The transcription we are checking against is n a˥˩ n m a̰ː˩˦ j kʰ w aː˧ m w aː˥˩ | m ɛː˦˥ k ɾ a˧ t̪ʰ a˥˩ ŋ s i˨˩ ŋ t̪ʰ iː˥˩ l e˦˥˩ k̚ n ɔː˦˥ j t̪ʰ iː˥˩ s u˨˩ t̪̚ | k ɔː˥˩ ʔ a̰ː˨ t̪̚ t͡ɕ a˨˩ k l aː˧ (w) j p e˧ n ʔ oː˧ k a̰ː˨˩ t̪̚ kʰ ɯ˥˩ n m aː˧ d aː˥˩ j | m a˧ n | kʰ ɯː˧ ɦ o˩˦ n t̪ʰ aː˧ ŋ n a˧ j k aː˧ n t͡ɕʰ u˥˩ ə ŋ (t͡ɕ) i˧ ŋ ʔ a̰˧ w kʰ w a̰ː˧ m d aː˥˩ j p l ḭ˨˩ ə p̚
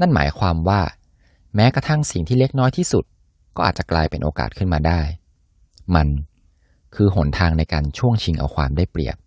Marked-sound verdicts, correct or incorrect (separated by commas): incorrect, incorrect